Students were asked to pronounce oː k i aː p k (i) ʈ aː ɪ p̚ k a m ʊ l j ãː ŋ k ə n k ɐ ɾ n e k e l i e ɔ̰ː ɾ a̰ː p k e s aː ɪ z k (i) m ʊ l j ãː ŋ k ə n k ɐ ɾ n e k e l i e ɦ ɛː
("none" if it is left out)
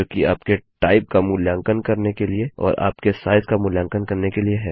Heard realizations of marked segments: e, a

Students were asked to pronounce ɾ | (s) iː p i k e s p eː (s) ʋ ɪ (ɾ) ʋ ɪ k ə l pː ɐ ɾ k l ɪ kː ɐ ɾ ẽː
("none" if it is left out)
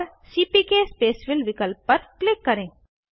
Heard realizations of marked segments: s, s, l

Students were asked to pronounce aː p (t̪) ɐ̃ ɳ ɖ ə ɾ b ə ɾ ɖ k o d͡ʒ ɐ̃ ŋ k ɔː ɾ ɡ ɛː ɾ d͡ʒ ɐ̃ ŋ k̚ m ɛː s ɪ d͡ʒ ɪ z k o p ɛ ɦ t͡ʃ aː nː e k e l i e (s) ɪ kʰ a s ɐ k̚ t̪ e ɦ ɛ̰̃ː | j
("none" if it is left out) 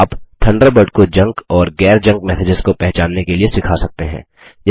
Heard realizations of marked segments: t̪ʰ, s

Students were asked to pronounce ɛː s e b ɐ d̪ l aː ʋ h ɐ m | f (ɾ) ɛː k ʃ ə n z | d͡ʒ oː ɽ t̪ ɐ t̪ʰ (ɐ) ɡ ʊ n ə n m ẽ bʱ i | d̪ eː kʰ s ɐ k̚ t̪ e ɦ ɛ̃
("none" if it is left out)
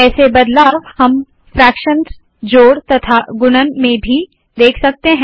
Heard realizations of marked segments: ɾ, a

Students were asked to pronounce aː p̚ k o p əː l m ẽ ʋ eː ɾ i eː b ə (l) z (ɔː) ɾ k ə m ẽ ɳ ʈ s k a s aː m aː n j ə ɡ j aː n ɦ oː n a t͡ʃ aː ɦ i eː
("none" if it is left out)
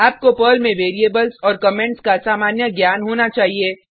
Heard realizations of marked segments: l, ɔː

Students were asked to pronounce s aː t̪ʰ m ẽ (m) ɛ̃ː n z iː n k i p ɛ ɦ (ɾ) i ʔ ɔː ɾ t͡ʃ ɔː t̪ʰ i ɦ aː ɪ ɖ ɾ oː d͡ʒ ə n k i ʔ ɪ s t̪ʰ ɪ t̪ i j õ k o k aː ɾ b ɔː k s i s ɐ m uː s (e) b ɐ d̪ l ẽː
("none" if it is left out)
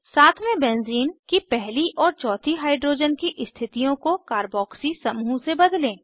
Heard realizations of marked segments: b, l, e

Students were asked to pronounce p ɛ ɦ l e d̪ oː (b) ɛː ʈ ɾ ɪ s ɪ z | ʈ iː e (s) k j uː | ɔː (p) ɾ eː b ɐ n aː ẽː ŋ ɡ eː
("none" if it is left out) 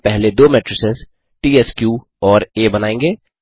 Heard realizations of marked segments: m, s, none

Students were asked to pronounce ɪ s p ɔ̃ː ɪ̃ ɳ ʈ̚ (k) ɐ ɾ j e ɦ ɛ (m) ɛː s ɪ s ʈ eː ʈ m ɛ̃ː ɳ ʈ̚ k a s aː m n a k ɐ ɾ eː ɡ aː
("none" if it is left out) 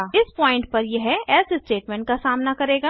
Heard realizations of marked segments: p, none

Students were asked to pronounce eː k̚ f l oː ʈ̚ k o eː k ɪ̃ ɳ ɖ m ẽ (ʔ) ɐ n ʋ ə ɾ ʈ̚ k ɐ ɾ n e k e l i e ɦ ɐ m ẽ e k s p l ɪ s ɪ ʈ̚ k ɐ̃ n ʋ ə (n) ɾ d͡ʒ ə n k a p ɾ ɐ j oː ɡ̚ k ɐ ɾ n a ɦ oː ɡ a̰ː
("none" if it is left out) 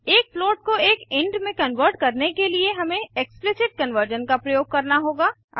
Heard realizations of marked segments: k, none

